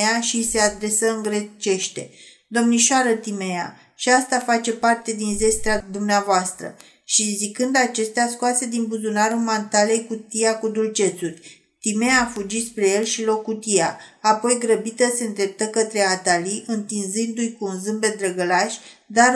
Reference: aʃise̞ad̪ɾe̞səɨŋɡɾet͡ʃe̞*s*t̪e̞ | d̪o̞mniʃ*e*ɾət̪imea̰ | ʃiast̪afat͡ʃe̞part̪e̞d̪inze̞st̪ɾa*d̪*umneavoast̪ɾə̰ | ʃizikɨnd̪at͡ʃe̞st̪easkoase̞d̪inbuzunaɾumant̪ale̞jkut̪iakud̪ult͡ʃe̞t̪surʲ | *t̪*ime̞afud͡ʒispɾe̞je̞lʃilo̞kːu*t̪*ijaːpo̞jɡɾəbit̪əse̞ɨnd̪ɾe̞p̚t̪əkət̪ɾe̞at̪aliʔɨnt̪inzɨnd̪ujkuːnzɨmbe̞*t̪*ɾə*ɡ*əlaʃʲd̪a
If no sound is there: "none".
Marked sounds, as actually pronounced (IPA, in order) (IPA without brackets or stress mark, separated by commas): ʃ, a, d̪, t̪, t̪, d̪, ɡ